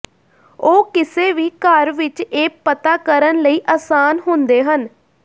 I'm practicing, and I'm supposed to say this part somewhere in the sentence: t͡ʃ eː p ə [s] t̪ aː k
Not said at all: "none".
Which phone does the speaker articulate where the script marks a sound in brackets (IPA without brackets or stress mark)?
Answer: none